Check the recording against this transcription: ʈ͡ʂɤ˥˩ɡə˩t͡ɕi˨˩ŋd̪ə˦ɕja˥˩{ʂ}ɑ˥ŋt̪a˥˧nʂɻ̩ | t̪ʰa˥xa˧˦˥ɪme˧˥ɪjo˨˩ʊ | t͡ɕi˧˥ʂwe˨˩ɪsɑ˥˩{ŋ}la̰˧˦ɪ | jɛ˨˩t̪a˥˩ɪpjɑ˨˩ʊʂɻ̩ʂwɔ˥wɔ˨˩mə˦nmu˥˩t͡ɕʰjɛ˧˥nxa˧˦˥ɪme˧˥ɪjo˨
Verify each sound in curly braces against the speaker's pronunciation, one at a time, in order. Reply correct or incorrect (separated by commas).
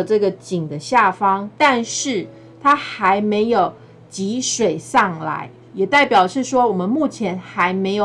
incorrect, correct